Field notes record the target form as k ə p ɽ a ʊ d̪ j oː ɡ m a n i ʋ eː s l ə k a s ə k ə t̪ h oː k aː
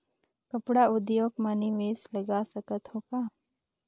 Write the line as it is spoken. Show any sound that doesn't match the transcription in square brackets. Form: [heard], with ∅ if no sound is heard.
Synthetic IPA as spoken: k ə p ɽ a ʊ d̪ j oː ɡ m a n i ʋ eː s l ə [ɡ] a s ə k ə t̪ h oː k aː